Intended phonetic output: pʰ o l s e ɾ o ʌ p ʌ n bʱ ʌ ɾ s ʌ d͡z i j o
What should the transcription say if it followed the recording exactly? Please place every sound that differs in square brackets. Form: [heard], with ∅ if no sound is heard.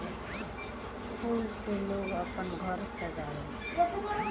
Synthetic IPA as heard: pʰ [u] l s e [l] o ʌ p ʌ n [ɡʱ] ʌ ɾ s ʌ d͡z [a] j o